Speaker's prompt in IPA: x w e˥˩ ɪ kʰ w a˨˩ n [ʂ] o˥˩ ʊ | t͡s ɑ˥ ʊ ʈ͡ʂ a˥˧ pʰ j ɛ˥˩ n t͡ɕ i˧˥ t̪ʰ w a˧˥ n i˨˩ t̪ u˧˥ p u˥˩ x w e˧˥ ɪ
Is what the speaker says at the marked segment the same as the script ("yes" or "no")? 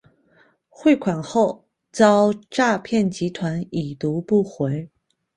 no